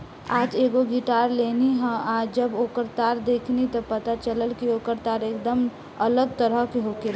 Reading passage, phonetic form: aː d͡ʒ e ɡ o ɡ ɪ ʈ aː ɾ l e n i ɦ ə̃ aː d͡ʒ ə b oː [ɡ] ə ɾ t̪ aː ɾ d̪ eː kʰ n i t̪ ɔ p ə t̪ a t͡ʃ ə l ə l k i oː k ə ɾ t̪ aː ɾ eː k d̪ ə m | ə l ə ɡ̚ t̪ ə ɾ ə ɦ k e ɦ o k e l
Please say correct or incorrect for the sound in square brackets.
incorrect: k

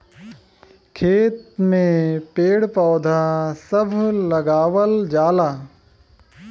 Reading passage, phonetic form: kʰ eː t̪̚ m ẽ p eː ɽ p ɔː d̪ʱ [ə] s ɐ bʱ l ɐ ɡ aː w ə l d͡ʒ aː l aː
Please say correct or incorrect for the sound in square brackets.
incorrect: a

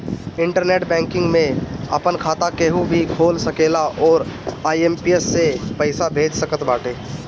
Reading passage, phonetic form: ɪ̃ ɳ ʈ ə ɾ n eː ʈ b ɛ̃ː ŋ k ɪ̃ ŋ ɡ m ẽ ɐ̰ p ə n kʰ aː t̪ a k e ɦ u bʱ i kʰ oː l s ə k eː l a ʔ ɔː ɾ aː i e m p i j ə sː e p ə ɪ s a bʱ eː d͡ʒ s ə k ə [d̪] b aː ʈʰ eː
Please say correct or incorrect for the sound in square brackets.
incorrect: t̪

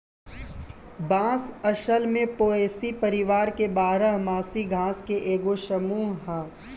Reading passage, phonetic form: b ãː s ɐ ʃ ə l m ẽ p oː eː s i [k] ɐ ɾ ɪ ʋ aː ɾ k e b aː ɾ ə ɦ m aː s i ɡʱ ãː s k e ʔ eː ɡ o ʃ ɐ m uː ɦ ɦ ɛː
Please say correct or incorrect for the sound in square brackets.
incorrect: p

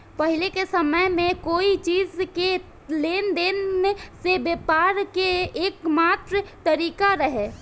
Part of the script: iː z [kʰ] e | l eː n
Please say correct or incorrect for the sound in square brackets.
incorrect: k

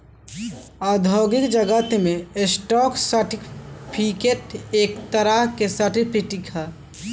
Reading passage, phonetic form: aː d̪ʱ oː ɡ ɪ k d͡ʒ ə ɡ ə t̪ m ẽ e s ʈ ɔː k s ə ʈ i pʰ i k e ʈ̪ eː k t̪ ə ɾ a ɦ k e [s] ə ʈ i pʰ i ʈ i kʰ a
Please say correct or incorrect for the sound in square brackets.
correct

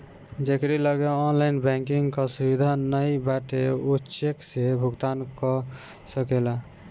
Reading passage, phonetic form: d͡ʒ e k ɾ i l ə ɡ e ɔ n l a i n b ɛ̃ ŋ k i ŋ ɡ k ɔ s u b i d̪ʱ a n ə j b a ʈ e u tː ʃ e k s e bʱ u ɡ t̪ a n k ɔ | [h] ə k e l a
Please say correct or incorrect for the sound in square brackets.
incorrect: s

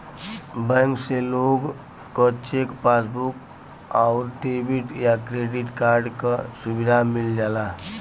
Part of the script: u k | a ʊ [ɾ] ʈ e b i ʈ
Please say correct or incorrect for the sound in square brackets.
correct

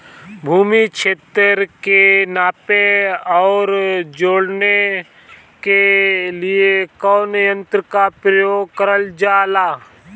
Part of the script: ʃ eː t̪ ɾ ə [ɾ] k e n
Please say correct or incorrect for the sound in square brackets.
correct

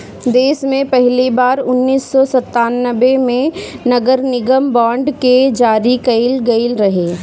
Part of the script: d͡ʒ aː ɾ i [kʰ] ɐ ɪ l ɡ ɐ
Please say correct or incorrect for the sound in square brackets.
incorrect: k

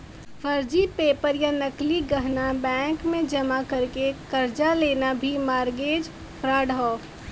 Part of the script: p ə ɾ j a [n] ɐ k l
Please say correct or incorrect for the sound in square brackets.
correct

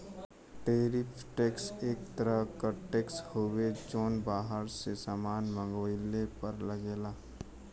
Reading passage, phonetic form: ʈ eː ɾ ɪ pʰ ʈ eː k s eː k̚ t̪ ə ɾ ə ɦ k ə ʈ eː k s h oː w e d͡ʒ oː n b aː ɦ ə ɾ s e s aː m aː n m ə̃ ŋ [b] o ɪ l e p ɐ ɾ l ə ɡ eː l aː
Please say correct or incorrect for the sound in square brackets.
incorrect: ɡ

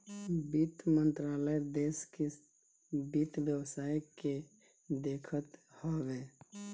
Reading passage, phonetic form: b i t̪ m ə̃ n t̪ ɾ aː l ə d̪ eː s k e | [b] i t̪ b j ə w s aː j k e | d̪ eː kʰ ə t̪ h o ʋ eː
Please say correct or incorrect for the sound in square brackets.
correct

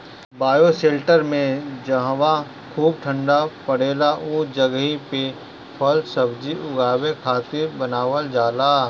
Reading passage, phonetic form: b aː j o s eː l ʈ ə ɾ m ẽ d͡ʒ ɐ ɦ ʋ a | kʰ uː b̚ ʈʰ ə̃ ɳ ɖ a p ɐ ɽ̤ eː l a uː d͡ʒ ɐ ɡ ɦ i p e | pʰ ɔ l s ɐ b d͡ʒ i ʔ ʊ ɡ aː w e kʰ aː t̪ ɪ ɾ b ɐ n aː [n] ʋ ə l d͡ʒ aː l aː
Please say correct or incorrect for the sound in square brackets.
incorrect: none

